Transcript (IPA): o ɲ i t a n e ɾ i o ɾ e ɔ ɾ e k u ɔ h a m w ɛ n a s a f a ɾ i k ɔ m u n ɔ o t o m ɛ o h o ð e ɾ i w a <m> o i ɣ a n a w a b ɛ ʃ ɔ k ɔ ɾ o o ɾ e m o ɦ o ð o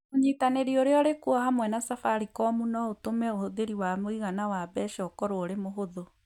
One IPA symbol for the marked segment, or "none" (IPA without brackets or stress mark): m